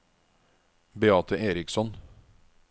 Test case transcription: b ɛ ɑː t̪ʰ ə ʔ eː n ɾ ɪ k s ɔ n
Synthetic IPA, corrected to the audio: b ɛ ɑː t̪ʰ ə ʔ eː ɾ ɪ k s ɔ n